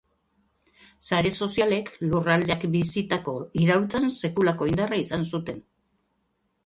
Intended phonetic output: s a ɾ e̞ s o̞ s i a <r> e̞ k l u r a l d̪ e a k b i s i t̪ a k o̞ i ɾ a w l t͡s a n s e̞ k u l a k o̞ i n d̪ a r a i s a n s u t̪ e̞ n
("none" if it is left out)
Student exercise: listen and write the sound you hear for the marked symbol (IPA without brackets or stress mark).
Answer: l